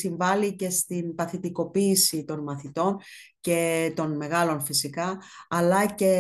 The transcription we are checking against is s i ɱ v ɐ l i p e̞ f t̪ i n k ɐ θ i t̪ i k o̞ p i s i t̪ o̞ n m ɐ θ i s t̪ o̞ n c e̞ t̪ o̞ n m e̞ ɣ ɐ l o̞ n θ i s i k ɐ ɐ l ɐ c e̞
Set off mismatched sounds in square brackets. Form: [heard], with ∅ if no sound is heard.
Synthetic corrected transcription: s i ɱ v ɐ l i [c] e̞ [s] t̪ i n [p] ɐ θ i t̪ i k o̞ p [iː] s i t̪ o̞ n m ɐ θ i [∅] t̪ o̞ n c e̞ t̪ o̞ n m e̞ ɣ ɐ l o̞ n [f] i s i k ɐ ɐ l ɐ c e̞